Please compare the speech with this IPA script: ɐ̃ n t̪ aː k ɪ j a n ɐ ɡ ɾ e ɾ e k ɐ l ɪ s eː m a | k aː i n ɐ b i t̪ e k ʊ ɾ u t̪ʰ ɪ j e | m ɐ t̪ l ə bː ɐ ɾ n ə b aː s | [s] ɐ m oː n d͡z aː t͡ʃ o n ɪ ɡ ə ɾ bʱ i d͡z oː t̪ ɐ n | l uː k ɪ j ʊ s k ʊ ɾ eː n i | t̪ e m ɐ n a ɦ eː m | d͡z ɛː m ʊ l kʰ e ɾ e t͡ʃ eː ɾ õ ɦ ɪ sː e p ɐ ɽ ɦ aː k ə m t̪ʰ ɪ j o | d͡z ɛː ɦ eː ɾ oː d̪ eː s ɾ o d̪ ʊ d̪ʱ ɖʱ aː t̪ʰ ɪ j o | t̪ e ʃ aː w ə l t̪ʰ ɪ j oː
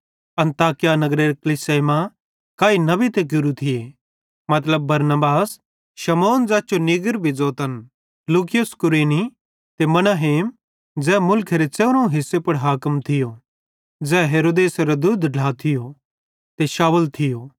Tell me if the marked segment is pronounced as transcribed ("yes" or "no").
no